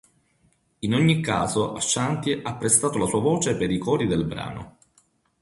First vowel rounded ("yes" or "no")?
no